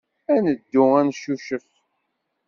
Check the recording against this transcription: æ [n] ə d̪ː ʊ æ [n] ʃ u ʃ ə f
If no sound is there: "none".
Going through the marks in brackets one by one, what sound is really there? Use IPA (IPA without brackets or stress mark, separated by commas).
n, n